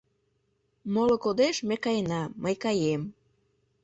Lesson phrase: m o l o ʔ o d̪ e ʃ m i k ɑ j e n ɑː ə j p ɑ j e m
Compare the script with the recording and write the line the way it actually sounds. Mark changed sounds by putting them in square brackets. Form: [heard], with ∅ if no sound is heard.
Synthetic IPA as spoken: m o l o [k] o d̪ e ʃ m [e] k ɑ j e n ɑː ə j [k] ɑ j e m